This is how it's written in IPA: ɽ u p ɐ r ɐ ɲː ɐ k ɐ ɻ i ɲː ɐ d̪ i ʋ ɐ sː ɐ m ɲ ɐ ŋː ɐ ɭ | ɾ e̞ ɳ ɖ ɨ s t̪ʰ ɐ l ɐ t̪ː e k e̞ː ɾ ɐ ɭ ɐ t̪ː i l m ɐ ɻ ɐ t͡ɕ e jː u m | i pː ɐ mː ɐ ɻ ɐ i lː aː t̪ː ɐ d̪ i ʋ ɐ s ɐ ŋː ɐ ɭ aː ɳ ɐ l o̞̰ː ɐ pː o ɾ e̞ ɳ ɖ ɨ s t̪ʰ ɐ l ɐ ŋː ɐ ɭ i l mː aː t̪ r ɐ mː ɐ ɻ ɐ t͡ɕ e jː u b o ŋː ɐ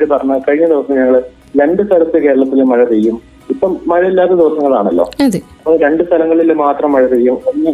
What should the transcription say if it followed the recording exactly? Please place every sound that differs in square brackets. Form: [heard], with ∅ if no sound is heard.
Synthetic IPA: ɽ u p ɐ r ɐ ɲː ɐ k ɐ ɻ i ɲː ɐ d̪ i ʋ ɐ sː ɐ m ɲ ɐ ŋː ɐ ɭ | ɾ e̞ ɳ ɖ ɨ s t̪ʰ ɐ l ɐ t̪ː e k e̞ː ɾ ɐ ɭ ɐ t̪ː i l m ɐ ɻ ɐ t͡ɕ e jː u m | i pː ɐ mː ɐ ɻ ɐ i lː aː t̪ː ɐ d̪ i ʋ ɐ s ɐ ŋː ɐ ɭ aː ɳ ɐ [lː] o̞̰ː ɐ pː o ɾ e̞ ɳ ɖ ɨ s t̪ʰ ɐ l ɐ ŋː ɐ ɭ i l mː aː t̪ r ɐ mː ɐ ɻ ɐ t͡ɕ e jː u [m] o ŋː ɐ